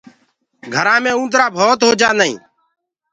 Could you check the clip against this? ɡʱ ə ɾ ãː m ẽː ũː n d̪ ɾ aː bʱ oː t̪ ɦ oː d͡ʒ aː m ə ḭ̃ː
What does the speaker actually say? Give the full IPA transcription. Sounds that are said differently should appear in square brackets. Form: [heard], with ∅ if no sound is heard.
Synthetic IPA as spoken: ɡʱ ə ɾ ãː m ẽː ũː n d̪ ɾ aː bʱ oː t̪ ɦ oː d͡ʒ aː [n] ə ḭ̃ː